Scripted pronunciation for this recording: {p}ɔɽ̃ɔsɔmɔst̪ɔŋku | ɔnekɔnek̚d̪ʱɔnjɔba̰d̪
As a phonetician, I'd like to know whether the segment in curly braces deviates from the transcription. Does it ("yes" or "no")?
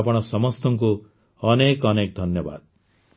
no